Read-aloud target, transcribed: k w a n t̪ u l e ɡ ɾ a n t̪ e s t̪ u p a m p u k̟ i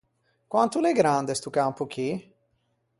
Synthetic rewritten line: k w a n t̪ u l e ɡ ɾ a n d̪ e s t̪ u k a m p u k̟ i